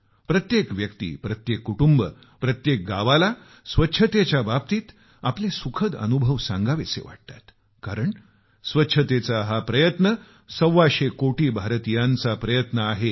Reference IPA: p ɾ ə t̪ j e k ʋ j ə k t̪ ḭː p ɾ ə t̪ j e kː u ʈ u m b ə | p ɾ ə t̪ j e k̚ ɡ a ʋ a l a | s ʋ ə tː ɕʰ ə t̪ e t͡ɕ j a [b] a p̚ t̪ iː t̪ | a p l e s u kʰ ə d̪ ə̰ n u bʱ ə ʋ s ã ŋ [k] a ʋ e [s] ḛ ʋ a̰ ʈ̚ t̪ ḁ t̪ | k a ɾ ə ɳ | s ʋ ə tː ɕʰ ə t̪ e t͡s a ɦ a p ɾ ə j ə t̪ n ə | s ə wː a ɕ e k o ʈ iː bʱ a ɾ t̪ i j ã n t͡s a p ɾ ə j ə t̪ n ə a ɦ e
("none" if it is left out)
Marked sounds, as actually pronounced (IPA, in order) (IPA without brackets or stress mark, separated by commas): b, ɡ, s